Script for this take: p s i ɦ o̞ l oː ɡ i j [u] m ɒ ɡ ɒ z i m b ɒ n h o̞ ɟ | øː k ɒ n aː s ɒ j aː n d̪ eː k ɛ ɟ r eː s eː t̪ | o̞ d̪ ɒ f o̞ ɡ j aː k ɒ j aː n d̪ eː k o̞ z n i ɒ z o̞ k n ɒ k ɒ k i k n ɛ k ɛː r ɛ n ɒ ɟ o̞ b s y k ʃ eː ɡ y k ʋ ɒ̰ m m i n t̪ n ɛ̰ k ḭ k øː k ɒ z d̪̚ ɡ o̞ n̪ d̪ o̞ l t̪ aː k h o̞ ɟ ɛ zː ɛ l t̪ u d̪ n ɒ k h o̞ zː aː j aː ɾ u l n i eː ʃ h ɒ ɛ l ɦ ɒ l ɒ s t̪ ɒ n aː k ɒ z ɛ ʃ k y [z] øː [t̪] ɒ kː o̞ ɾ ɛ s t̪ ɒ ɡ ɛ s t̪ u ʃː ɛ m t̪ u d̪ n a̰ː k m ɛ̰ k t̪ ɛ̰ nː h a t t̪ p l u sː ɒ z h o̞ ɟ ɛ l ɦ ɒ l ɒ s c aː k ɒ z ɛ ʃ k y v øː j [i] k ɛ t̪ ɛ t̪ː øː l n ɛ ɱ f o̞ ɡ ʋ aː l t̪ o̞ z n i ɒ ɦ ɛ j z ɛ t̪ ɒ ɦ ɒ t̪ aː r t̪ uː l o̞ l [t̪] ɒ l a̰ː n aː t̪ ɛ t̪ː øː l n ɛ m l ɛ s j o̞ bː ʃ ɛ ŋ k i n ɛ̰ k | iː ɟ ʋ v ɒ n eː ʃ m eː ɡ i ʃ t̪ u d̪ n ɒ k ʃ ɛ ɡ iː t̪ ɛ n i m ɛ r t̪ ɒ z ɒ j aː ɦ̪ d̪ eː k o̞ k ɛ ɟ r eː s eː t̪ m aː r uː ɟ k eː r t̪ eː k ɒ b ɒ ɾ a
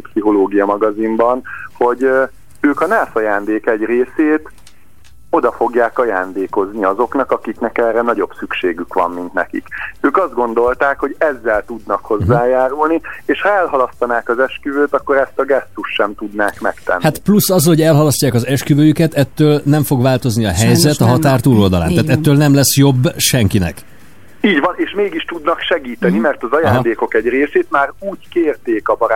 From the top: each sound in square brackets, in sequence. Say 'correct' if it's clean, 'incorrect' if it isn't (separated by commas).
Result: incorrect, incorrect, correct, incorrect, incorrect